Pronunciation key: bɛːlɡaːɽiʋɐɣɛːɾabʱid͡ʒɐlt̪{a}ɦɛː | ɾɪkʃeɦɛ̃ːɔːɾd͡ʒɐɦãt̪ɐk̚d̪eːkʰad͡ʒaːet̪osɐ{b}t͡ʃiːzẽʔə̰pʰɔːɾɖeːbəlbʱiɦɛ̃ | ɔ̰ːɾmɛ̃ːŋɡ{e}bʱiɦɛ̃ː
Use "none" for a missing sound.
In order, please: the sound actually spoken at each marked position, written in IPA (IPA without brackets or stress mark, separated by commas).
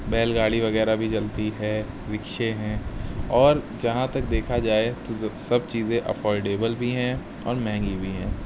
i, b, i